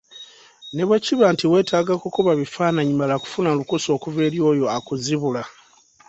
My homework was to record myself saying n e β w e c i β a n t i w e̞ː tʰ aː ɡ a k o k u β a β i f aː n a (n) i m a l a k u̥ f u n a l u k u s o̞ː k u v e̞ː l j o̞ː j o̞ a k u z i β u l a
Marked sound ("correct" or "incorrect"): incorrect